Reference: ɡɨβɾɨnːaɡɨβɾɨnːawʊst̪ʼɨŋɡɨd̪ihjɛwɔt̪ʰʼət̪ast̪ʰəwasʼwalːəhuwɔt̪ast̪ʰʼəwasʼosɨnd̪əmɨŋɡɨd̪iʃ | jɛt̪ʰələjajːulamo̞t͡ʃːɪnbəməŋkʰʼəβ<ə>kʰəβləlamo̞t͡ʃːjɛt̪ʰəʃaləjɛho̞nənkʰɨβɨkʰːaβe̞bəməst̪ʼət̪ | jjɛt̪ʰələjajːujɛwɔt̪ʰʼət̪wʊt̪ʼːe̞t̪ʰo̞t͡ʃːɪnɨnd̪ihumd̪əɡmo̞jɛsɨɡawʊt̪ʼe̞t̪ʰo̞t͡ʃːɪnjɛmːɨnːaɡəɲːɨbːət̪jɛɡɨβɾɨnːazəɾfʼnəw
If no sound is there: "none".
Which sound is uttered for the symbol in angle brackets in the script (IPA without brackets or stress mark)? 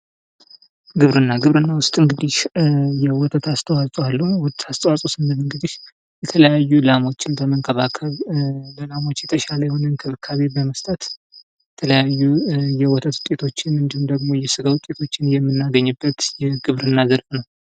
a